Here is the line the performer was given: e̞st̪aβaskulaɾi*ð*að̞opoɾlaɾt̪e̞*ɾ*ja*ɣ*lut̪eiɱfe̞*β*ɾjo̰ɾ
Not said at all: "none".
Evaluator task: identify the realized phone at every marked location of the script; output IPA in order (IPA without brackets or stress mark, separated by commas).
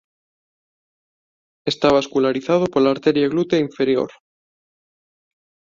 θ, ɾ, ɣ, none